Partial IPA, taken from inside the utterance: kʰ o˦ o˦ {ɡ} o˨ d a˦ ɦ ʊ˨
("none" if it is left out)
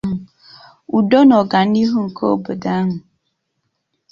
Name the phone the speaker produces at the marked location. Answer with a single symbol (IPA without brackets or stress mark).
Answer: b